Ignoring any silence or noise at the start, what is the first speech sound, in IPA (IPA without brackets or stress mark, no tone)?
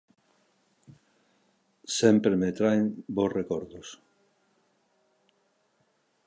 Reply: s